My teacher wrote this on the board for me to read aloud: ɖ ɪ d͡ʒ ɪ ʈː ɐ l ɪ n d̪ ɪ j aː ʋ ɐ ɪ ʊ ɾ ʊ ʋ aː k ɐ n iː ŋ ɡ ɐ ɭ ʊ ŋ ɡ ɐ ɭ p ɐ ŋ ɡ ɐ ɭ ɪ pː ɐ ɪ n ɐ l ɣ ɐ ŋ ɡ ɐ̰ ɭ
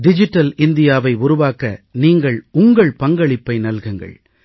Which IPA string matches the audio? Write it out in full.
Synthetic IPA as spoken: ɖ ɪ d͡ʒ ɪ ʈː ɐ l ɪ n d̪ ɪ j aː ʋ ɐ ɪ ʊ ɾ ʊ ʋ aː k ɐ n iː ŋ ɡ ɐ ɭ ʊ ŋ ɡ ɐ ɭ p ɐ ŋ ɡ ɐ ɭ ɪ pː ɐ ɪ n ɐ l ɣ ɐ ŋ ɡ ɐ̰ ɭ